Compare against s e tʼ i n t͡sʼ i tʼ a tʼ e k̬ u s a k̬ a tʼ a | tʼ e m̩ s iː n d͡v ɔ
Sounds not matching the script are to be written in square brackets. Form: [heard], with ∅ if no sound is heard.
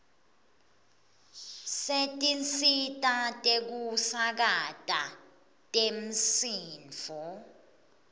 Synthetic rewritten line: s e tʼ i n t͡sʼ i tʼ a tʼ e k̬ u s a k̬ a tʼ a | tʼ e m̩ s iː n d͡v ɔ